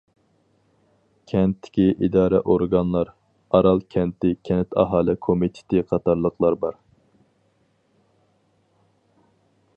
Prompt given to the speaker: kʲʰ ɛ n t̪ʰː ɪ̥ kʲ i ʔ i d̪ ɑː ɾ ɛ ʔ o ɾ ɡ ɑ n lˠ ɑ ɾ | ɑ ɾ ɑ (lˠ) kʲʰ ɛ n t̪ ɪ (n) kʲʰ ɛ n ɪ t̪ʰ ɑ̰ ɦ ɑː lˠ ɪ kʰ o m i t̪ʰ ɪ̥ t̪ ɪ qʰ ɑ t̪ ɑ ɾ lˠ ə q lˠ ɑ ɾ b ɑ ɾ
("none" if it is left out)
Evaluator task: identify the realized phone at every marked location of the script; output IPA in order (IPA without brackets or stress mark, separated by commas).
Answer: lˠ, none